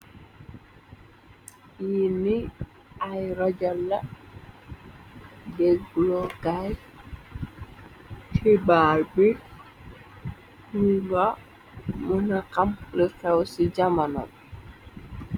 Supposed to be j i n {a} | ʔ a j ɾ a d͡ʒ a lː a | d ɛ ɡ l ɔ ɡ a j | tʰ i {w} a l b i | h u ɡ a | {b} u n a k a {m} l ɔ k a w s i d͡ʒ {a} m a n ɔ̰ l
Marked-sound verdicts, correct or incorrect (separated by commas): incorrect, incorrect, incorrect, correct, correct